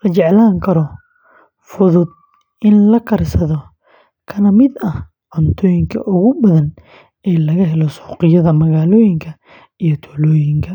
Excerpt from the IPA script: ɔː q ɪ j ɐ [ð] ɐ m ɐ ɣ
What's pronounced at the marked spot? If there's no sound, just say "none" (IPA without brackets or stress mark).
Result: ð